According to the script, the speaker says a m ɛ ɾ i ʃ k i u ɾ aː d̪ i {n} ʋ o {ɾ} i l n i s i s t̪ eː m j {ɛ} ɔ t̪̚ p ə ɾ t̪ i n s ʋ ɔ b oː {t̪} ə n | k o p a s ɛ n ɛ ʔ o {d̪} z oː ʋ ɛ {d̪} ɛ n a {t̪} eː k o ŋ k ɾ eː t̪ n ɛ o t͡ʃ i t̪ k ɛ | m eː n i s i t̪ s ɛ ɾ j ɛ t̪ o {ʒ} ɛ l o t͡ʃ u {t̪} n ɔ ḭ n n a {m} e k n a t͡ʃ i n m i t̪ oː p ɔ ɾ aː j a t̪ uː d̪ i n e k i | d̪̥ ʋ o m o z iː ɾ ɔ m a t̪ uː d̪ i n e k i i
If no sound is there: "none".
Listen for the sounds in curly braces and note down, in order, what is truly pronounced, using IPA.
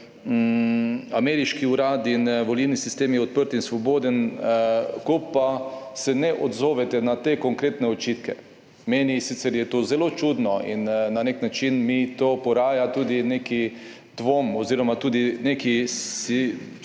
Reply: n, l, ɛ, d̪, d̪, t̪, t̪, z, d̪, n

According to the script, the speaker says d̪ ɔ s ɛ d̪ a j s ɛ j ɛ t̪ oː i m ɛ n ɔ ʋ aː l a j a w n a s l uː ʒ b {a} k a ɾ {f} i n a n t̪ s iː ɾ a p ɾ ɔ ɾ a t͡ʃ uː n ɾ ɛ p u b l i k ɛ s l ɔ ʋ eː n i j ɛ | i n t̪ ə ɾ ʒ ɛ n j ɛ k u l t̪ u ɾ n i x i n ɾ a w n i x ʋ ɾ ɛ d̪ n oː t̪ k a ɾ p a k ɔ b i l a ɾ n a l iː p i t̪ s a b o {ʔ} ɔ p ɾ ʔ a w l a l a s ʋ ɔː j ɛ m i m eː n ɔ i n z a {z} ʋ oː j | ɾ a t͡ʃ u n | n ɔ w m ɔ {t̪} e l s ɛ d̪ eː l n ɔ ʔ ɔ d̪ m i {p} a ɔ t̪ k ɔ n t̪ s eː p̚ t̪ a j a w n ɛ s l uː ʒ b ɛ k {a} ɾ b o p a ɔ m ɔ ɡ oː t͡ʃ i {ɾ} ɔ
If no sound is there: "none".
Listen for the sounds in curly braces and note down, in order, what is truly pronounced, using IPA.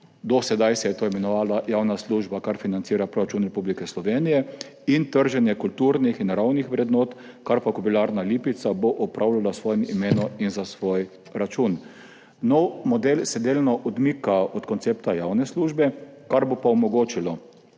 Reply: a, f, ʔ, s, d̪, k, a, l

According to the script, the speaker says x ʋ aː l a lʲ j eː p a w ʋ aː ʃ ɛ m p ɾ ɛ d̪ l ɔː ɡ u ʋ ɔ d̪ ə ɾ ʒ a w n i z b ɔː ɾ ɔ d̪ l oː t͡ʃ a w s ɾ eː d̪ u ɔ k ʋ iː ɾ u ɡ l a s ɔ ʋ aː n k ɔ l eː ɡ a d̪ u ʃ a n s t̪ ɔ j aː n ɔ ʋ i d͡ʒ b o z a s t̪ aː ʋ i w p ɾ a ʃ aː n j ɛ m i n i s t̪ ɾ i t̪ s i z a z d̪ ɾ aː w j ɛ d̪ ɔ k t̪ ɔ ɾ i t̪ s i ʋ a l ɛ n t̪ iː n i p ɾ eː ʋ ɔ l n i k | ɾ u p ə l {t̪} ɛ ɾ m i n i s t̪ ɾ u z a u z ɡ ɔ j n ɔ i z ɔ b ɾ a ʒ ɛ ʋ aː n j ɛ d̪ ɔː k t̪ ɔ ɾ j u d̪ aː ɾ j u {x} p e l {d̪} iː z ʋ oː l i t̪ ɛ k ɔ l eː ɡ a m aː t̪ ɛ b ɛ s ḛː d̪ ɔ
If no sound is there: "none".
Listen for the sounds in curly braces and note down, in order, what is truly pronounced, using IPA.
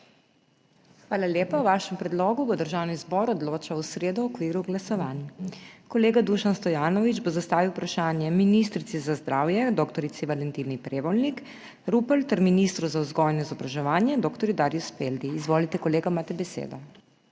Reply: t̪, s, d̪

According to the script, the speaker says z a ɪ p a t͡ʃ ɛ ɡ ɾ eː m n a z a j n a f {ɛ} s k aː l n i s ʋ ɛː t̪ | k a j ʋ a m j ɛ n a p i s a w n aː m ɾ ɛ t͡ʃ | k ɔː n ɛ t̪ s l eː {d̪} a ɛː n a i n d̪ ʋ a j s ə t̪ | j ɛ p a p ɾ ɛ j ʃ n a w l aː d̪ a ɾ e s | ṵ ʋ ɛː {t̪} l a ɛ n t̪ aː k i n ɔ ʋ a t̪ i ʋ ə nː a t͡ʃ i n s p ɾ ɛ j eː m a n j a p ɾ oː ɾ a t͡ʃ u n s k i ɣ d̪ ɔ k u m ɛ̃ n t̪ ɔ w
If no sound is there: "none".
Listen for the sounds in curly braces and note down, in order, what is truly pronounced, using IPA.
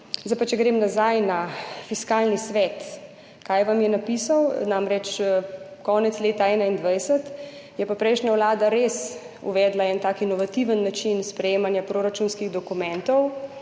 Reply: i, t̪, d̪

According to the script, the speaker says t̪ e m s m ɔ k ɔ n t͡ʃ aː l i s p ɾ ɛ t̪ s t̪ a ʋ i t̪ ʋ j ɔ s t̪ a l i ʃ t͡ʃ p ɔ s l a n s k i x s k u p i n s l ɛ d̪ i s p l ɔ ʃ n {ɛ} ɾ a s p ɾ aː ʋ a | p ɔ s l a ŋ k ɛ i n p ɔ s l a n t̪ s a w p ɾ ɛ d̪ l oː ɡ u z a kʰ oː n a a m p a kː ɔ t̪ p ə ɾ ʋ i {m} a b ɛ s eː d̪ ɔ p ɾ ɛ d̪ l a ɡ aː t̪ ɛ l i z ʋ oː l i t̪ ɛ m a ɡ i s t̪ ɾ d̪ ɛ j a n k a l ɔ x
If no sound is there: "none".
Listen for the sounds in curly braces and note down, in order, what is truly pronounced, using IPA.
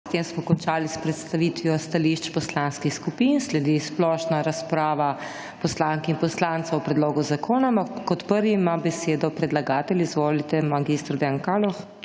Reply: a, m

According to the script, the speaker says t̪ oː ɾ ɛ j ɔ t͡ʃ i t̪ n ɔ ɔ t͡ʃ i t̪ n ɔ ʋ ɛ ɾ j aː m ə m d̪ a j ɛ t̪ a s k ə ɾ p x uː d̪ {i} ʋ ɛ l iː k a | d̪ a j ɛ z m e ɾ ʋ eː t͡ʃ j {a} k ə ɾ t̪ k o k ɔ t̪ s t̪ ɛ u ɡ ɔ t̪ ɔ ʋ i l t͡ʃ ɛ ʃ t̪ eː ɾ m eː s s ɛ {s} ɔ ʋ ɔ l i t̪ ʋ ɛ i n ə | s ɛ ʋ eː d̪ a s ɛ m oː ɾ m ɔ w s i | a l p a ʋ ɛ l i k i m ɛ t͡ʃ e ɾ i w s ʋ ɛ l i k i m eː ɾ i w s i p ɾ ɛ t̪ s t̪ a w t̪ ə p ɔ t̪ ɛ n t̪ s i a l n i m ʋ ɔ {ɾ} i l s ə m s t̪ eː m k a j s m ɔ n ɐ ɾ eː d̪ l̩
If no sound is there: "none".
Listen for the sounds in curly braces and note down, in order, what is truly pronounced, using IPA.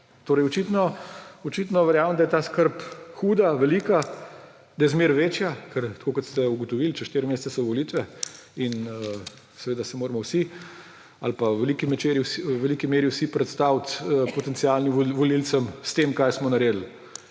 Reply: a, a, s, l

